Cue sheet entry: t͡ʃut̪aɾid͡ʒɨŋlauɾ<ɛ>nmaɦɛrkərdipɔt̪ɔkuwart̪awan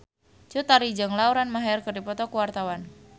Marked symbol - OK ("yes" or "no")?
no